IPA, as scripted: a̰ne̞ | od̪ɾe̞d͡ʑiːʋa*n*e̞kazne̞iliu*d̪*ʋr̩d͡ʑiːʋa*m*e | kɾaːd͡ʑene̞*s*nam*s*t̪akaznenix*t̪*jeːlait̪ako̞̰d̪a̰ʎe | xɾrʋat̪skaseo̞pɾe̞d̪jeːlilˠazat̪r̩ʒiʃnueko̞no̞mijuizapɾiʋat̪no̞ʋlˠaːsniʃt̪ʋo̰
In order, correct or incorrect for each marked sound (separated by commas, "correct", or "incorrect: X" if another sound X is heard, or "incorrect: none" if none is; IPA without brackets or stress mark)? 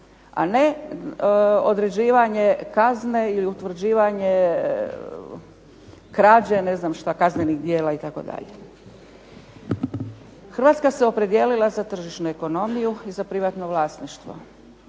incorrect: ɲ, incorrect: t̪, incorrect: ɲ, incorrect: z, incorrect: ʃ, incorrect: d̪